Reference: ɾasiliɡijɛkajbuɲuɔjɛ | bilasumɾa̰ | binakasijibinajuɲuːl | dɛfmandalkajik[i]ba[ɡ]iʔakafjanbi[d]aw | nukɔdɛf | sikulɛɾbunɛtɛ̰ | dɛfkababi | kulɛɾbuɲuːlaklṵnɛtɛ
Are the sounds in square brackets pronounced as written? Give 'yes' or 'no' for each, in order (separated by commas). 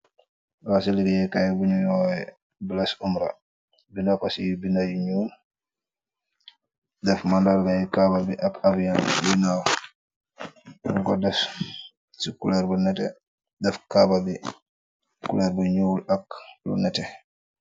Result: no, no, no